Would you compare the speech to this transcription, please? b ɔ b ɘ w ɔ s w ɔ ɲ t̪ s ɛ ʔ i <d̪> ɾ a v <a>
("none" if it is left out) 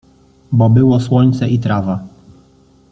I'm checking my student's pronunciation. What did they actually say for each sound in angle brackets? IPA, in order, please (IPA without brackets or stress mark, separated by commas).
t̪, a